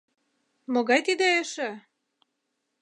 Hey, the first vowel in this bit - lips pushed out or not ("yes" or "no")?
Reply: yes